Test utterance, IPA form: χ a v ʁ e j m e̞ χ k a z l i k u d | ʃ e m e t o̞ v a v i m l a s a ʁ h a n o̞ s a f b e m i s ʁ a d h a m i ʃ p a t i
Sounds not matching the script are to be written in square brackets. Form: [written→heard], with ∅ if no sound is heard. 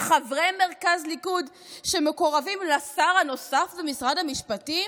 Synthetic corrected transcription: χ a v ʁ e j m e̞ [χ→ʁ] k a z l i k u d | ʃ e m e [t→k] o̞ [v→ʁ] a v i m l a s a ʁ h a n o̞ s a f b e m i s ʁ a d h a m i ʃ p a t i